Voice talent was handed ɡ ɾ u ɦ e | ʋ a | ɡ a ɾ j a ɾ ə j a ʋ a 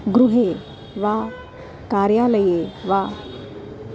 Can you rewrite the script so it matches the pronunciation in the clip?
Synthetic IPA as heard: ɡ ɾ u ɦ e | ʋ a | k a ɾ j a l ə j e ʋ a